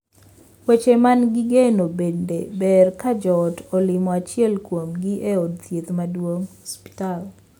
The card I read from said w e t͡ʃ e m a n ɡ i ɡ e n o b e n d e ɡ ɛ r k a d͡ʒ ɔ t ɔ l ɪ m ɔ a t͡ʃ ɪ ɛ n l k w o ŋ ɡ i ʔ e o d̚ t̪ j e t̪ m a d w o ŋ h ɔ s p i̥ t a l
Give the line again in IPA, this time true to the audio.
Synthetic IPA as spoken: w e t͡ʃ e m a n ɡ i ɡ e n o b e n d e b ɛ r k a d͡ʒ ɔ t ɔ l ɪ m ɔ a t͡ʃ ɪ ɛ l k w o m ɡ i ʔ e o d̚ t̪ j e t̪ m a d w o ŋ h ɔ s p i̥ t a l